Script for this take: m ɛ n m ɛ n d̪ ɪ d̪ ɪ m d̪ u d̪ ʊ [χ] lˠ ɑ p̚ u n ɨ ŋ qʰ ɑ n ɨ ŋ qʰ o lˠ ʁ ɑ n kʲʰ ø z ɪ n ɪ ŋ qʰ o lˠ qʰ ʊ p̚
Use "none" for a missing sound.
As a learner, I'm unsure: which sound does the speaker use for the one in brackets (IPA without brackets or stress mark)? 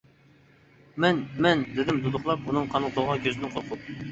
χ